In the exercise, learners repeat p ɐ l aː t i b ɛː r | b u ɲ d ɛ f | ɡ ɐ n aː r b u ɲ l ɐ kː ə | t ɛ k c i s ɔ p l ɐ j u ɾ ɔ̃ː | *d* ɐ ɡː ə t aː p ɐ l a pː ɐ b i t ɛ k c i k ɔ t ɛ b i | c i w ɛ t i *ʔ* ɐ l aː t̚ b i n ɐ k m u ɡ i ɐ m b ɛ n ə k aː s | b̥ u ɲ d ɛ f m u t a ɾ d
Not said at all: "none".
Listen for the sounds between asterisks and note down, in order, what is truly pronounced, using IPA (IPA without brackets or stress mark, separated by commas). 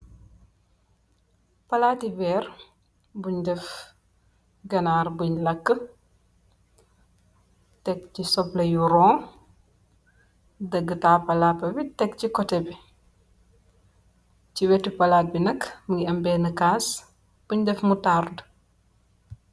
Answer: d, p